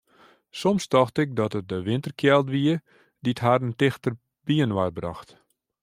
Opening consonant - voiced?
no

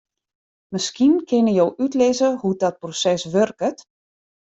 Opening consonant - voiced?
yes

